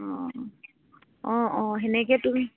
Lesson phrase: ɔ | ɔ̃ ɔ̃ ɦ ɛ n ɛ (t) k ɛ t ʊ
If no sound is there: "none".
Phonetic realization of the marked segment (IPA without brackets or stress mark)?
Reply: none